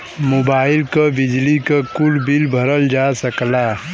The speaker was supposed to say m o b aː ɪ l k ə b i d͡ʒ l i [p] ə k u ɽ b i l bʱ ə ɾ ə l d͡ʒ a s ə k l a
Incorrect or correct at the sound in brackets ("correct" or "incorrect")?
incorrect